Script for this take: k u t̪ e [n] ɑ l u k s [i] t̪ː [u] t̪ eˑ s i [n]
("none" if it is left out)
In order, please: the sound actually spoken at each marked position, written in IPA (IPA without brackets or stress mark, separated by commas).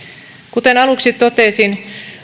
n, i, o, n